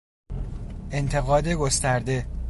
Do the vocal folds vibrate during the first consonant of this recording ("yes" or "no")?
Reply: yes